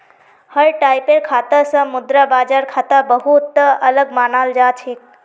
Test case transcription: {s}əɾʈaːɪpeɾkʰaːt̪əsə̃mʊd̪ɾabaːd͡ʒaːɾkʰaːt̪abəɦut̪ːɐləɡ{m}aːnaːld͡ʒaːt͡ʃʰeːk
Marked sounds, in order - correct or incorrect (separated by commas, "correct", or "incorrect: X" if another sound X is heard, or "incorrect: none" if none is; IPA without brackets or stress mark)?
incorrect: h, correct